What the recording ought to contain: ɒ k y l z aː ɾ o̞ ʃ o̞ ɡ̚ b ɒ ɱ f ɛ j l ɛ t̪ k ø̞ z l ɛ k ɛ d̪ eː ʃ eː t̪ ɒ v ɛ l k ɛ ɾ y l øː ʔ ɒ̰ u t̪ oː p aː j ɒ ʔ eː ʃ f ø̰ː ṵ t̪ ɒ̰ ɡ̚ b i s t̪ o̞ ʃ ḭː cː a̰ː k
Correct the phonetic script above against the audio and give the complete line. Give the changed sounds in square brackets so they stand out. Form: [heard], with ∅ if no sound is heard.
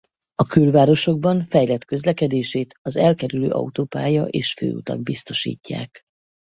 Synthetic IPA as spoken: ɒ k y l [v] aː ɾ o̞ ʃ o̞ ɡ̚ b ɒ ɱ f ɛ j l ɛ t̪ k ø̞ z l ɛ k ɛ d̪ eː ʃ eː t̪ ɒ [z] ɛ l k ɛ ɾ y l øː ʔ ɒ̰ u t̪ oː p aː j ɒ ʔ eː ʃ f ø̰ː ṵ t̪ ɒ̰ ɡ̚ b i s t̪ o̞ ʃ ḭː cː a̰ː k